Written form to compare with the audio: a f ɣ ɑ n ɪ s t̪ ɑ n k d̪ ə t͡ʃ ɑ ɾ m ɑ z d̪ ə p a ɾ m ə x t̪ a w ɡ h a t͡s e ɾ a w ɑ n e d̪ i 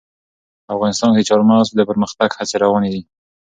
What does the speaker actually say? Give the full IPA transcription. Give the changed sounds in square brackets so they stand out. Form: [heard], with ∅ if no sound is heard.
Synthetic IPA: a f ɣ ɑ n ɪ s t̪ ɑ n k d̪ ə t͡ʃ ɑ ɾ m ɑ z d̪ ə p [ə] ɾ m ə x t̪ a [∅] ɡ h a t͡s e ɾ a w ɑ n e d̪ i